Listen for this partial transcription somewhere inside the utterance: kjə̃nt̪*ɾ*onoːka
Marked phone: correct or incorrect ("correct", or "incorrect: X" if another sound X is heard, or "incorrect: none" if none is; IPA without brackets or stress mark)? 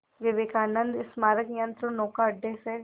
correct